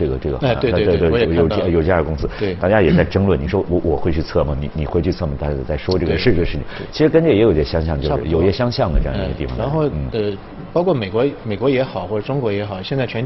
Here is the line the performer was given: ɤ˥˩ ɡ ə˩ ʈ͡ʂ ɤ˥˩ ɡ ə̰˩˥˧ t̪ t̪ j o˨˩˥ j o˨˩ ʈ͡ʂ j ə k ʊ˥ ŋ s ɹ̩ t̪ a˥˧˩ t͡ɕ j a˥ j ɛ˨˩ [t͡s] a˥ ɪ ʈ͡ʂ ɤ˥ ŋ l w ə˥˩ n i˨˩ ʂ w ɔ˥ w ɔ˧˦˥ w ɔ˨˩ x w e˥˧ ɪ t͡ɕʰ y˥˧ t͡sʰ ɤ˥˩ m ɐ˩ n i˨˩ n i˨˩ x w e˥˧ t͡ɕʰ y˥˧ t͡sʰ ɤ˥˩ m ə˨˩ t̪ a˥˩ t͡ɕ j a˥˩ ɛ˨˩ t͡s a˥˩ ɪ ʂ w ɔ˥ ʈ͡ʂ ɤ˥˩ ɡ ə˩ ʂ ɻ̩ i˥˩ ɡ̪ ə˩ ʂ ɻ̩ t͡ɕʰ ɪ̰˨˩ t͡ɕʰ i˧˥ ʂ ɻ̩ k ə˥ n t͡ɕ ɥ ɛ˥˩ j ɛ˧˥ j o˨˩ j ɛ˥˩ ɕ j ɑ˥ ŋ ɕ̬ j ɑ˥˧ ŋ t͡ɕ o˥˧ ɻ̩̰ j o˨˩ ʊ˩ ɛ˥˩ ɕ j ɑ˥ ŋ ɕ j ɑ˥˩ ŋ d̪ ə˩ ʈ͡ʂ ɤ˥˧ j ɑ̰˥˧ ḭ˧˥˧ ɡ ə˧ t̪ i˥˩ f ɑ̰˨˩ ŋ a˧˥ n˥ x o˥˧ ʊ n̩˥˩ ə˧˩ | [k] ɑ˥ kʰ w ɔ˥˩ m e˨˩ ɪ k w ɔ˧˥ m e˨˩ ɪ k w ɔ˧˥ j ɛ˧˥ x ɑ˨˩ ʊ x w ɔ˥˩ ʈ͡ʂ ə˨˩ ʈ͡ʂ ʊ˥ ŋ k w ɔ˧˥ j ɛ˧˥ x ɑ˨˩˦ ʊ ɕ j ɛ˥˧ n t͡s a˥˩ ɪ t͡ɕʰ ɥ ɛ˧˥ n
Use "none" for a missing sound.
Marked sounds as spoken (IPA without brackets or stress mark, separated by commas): t͡s, p